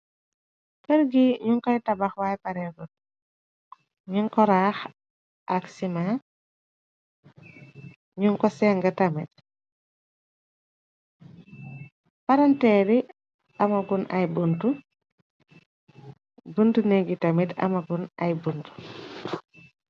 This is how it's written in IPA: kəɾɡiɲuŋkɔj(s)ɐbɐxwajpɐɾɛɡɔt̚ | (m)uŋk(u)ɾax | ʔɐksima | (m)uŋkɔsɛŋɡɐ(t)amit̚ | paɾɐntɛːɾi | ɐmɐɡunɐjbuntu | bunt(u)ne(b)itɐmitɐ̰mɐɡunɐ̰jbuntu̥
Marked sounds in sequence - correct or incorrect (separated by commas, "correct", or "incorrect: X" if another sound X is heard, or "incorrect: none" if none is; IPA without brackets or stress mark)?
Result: incorrect: t, incorrect: ɲ, incorrect: ɔ, incorrect: ɲ, correct, correct, incorrect: ɡ